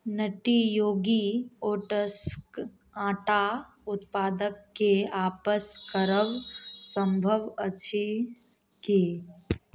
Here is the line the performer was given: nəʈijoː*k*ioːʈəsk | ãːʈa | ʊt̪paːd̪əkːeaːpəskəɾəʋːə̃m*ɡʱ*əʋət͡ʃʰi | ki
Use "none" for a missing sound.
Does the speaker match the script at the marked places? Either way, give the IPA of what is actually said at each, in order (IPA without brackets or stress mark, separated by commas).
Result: ɡ, bʱ